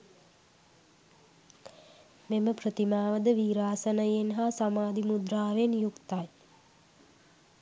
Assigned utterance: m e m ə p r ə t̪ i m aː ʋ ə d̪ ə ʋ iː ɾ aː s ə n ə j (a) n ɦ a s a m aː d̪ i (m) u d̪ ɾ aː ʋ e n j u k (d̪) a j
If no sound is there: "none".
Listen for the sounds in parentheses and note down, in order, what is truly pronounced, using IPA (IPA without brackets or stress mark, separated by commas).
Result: e, m, t̪